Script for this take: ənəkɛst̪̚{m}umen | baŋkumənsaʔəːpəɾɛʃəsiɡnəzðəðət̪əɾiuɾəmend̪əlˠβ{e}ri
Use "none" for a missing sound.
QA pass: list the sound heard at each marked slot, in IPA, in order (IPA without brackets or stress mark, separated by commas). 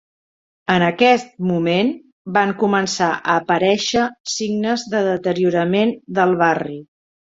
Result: m, a